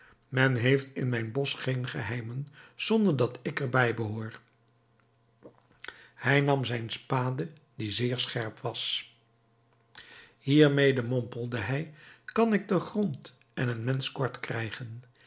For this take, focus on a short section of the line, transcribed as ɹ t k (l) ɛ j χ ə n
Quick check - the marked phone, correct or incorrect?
incorrect